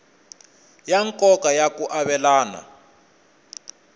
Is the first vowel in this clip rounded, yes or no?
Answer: no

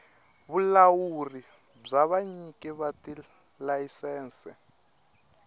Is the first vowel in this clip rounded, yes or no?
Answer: yes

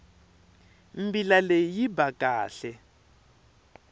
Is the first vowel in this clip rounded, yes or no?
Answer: no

